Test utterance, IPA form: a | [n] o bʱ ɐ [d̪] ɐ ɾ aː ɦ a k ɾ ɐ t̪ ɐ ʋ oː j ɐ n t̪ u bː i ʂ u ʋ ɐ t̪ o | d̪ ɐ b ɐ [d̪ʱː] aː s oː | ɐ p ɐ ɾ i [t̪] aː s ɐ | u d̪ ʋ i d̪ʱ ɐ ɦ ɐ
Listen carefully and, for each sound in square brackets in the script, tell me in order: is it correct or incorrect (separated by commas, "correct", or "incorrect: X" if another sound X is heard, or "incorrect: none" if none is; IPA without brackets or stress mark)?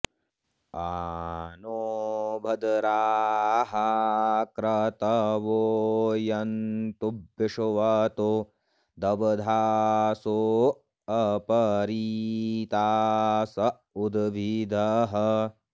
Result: correct, correct, incorrect: d̪ʱ, correct